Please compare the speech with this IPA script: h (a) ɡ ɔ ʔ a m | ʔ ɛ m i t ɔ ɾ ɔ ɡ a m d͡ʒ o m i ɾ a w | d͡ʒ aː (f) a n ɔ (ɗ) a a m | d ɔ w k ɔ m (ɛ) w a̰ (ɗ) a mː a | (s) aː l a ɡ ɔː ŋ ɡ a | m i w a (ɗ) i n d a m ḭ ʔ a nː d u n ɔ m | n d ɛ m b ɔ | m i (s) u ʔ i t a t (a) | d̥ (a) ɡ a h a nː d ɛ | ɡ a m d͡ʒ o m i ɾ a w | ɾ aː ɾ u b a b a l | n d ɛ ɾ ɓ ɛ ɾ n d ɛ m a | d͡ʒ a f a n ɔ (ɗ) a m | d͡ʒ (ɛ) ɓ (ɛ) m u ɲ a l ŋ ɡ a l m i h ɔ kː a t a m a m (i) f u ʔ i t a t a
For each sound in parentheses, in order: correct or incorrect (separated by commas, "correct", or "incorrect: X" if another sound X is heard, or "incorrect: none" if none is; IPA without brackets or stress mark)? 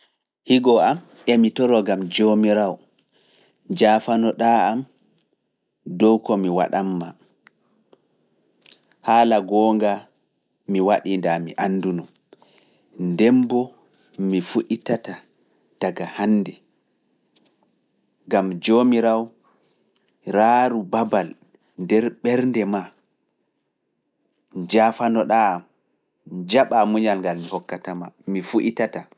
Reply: incorrect: i, correct, correct, incorrect: i, correct, incorrect: h, correct, incorrect: f, correct, correct, correct, incorrect: a, incorrect: a, correct